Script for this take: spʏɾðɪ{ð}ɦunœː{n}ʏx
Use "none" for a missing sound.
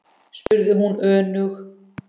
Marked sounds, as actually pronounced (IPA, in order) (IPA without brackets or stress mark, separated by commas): none, n